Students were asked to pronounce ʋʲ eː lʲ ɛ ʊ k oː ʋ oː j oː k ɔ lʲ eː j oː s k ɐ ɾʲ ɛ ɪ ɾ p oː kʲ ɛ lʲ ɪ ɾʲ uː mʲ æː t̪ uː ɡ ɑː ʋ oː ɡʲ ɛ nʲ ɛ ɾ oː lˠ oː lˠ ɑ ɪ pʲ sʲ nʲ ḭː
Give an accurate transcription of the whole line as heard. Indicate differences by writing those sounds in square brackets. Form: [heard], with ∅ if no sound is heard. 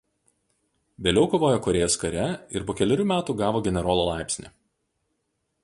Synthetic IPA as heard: ʋʲ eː lʲ ɛ ʊ k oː ʋ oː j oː k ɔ [ɾʲ] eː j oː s k ɐ ɾʲ ɛ ɪ ɾ p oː kʲ ɛ lʲ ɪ ɾʲ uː mʲ æː t̪ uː ɡ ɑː ʋ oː ɡʲ ɛ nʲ ɛ ɾ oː lˠ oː lˠ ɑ ɪ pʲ sʲ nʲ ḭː